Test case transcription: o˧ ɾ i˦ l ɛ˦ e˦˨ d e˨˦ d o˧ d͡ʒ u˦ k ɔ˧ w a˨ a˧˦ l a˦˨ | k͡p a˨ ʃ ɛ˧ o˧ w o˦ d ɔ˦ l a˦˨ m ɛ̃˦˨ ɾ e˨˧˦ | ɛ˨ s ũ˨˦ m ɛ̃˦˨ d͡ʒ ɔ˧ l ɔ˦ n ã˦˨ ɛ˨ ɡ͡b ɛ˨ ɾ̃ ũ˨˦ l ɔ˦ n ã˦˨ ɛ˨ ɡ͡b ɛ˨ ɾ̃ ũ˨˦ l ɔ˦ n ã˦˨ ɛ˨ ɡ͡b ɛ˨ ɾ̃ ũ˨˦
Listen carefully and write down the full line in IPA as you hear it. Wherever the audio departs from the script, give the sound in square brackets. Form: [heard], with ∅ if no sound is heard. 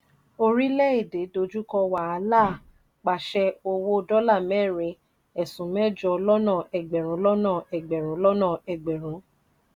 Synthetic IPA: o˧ ɾ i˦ l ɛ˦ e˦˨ d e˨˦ d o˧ d͡ʒ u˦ k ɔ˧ w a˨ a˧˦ l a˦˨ | k͡p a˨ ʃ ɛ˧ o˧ w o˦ d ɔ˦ l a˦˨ m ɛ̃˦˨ ɾ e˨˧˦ | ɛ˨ s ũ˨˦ m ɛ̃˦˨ d͡ʒ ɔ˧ l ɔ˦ n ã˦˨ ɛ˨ ɡ͡b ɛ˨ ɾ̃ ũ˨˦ l ɔ˦ n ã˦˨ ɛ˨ ɡ͡b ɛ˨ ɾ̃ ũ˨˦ l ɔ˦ n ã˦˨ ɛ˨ ɡ͡b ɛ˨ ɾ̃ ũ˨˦